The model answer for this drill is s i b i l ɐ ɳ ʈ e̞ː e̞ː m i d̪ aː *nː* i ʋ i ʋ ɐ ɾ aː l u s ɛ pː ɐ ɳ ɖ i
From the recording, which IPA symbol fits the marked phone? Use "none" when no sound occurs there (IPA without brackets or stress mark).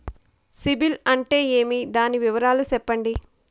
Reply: n